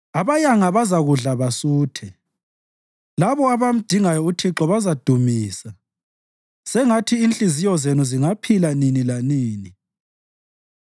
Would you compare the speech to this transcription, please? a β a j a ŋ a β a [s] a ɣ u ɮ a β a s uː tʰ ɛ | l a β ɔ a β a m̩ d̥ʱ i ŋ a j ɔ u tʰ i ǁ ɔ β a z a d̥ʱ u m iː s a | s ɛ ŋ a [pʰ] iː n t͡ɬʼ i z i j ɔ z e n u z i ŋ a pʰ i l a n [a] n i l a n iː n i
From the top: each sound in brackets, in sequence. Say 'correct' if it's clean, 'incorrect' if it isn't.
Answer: incorrect, incorrect, incorrect

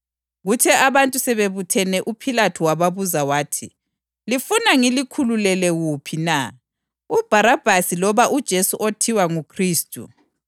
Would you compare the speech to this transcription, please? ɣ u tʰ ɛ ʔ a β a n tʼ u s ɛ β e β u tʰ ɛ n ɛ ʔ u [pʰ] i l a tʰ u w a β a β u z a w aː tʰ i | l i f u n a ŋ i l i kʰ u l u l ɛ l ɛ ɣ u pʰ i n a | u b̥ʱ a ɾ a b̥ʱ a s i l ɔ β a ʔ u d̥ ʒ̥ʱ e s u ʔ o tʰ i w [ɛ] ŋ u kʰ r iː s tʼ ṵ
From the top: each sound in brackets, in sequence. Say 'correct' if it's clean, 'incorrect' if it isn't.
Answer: correct, incorrect

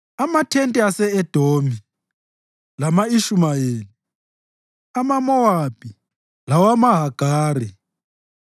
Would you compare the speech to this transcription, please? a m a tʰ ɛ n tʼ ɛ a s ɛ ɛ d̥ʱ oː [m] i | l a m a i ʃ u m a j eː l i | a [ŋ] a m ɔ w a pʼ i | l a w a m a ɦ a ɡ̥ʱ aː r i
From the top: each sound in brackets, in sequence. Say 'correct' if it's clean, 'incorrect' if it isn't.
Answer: correct, incorrect

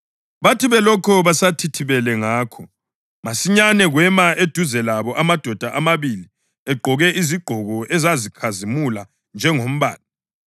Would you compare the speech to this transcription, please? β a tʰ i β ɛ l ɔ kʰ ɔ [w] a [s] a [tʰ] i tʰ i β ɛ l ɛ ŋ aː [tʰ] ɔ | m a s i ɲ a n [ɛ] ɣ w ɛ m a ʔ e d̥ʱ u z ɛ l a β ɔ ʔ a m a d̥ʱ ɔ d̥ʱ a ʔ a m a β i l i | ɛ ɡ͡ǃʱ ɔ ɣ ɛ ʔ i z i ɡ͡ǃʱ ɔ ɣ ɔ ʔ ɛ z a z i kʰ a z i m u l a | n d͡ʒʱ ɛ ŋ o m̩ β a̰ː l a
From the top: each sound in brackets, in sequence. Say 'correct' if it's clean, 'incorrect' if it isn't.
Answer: incorrect, correct, correct, incorrect, correct

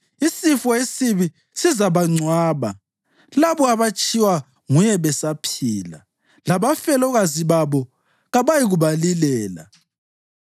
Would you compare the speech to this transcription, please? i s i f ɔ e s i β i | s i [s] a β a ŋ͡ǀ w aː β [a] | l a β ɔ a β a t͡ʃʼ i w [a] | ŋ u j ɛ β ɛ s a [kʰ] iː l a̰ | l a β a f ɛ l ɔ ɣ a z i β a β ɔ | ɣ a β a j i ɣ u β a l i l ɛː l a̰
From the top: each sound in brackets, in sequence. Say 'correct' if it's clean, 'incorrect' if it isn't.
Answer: incorrect, correct, correct, incorrect

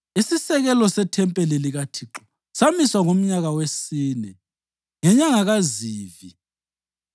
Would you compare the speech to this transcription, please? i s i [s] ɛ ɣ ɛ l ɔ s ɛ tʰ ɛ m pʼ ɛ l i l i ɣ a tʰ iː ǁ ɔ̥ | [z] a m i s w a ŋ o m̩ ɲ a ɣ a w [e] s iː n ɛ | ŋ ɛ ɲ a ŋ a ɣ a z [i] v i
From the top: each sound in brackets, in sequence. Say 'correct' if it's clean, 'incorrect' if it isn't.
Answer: correct, incorrect, correct, incorrect

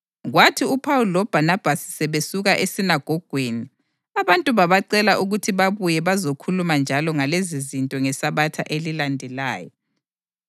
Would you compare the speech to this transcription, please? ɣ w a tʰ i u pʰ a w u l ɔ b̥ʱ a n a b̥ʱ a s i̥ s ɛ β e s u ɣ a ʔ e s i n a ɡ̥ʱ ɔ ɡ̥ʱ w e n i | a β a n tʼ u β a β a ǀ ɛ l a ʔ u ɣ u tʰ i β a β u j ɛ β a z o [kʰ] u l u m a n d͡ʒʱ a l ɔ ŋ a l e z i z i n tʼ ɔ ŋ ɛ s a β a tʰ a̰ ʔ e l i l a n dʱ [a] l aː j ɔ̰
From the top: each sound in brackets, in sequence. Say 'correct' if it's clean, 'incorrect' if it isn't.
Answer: correct, incorrect

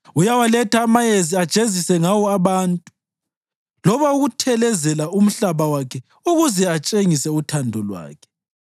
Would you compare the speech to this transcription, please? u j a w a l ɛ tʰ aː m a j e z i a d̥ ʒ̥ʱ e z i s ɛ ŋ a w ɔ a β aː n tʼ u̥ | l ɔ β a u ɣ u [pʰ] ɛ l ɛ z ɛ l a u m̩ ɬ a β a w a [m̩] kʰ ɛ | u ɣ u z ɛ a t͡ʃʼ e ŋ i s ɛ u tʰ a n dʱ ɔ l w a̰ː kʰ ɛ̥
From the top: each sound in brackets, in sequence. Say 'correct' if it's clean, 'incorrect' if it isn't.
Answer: incorrect, incorrect

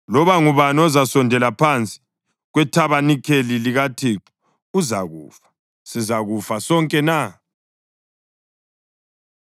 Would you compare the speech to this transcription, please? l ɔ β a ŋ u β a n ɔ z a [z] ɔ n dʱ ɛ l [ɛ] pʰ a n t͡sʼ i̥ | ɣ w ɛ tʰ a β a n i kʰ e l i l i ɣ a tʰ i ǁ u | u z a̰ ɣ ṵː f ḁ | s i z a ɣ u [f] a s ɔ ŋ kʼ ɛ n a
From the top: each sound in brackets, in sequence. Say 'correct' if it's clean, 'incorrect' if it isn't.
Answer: incorrect, incorrect, correct

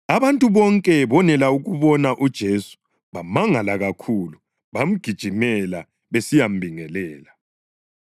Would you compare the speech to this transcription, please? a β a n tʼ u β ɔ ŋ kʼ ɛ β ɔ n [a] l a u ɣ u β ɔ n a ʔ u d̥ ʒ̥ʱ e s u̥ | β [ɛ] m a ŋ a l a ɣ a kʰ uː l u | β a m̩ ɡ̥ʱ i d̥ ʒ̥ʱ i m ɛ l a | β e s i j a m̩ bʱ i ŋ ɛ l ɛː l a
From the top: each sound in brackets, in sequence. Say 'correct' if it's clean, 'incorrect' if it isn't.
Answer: incorrect, incorrect

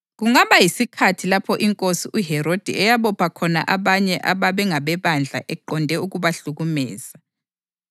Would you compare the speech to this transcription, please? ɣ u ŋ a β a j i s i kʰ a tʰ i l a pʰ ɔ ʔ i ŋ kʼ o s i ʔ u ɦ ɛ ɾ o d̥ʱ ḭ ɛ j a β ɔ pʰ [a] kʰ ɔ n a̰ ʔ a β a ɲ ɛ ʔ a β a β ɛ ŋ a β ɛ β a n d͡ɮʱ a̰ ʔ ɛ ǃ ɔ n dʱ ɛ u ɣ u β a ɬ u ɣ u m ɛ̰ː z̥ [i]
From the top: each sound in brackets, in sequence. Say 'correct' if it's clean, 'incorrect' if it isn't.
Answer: correct, incorrect

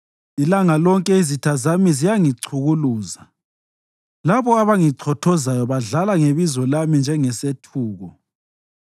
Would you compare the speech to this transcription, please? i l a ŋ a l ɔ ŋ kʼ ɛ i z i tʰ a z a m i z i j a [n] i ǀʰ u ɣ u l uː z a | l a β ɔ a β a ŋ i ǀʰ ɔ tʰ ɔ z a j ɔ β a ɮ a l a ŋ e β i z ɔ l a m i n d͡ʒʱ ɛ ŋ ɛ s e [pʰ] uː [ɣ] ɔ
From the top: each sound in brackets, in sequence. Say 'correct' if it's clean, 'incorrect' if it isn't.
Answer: incorrect, incorrect, correct

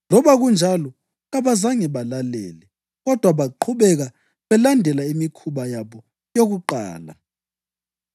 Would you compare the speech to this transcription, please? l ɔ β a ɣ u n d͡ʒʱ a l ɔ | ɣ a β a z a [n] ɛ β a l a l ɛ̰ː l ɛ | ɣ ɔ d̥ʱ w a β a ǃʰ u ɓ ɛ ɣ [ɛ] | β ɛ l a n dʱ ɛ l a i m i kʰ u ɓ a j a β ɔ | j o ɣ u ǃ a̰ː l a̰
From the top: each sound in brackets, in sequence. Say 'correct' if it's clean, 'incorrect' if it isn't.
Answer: incorrect, incorrect

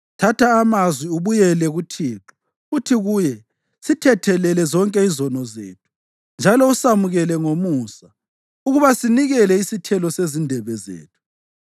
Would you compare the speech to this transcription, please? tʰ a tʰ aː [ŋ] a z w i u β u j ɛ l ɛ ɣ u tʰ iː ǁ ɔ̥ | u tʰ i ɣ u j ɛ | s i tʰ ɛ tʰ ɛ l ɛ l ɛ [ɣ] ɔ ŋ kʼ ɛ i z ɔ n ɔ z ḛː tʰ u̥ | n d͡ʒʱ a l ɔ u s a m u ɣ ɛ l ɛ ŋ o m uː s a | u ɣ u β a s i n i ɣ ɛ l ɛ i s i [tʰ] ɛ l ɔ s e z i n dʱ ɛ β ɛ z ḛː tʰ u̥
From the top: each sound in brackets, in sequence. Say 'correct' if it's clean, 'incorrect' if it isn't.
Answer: incorrect, incorrect, correct

